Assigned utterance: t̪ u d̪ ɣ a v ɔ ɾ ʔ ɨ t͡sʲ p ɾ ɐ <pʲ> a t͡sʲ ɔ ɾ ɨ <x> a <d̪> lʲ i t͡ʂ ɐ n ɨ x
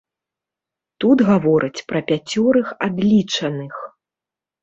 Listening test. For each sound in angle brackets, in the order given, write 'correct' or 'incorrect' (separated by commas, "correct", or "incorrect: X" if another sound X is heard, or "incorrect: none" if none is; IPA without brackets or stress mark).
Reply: correct, correct, correct